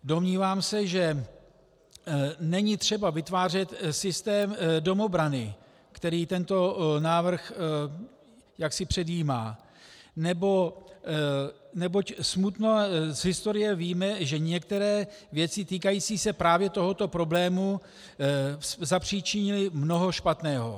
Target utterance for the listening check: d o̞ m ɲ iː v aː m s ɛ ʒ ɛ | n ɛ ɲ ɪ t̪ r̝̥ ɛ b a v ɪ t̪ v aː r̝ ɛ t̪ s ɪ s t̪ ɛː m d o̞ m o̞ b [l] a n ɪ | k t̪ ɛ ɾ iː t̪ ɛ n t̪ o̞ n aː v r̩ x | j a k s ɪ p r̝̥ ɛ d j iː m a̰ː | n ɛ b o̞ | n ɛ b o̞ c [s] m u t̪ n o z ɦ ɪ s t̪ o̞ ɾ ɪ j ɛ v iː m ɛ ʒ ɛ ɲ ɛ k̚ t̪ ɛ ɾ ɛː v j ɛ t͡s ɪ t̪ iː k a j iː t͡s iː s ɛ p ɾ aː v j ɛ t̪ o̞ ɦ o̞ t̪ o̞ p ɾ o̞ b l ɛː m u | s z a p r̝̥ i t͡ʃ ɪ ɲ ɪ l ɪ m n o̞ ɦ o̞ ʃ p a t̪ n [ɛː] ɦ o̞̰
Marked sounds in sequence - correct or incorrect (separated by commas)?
incorrect, correct, correct